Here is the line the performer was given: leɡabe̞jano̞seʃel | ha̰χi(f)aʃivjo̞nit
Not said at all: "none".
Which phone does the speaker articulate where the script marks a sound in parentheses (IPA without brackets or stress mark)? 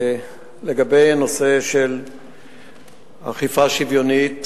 f